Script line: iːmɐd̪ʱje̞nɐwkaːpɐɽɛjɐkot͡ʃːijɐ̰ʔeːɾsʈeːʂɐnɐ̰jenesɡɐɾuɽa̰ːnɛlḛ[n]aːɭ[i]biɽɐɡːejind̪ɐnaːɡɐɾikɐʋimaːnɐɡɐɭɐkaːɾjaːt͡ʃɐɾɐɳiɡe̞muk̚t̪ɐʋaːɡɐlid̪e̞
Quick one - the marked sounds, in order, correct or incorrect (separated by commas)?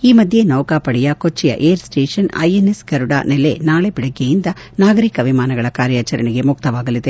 correct, incorrect